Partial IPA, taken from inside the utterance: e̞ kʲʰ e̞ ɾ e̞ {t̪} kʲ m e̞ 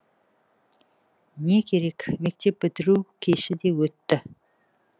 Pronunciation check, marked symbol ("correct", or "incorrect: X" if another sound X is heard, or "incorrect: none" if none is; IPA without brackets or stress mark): incorrect: none